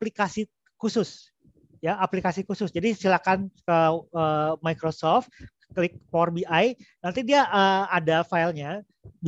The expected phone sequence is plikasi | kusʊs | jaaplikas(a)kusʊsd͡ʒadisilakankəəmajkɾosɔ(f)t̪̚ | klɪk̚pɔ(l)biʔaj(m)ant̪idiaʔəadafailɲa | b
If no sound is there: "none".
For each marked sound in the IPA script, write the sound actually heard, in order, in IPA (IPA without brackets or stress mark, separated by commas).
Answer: i, f, r, n